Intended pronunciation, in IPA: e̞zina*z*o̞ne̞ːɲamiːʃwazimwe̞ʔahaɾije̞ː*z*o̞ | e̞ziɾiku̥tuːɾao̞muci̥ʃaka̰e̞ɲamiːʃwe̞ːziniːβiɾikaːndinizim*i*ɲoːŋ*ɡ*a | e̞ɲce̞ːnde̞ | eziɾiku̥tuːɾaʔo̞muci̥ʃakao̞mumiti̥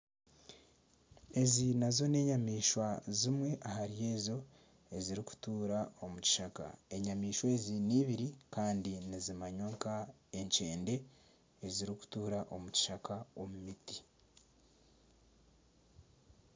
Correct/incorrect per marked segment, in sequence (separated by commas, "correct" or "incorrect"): correct, correct, incorrect, incorrect